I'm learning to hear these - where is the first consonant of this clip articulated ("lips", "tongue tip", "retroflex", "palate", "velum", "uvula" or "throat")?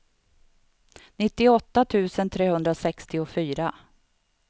tongue tip